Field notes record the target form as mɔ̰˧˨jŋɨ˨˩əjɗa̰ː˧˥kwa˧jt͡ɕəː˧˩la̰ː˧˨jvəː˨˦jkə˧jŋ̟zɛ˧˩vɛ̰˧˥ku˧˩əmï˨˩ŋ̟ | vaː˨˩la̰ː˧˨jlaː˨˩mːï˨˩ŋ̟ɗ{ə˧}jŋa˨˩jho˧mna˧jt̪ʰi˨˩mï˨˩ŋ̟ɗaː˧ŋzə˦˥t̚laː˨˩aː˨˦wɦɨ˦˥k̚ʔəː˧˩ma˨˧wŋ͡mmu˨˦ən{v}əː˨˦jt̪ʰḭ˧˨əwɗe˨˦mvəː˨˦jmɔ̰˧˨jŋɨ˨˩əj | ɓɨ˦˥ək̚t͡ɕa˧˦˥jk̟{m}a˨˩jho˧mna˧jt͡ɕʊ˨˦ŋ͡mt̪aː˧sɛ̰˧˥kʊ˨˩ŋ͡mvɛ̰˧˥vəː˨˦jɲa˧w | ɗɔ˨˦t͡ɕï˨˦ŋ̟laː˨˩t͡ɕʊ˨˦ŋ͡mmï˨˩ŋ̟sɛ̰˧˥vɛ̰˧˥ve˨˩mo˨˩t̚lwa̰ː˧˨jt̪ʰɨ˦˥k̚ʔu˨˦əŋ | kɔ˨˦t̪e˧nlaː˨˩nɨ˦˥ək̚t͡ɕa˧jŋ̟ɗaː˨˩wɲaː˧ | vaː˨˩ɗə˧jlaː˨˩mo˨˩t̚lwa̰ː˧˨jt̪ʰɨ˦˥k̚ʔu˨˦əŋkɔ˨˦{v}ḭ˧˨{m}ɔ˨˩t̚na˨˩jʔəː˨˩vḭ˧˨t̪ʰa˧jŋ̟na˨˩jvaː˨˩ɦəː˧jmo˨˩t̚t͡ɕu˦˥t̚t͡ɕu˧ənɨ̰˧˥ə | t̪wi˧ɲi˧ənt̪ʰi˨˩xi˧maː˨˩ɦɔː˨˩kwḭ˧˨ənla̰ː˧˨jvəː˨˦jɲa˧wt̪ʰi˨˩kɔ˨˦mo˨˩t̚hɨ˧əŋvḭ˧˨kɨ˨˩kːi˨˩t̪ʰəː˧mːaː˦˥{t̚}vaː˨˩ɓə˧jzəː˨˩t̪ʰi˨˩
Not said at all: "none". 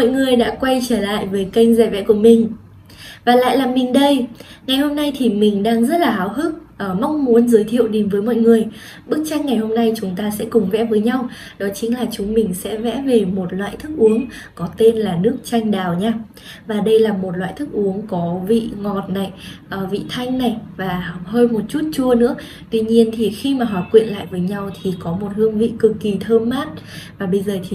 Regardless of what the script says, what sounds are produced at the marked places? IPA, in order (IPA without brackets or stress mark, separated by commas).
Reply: ə˧, z, ŋ, v, ŋ, t̚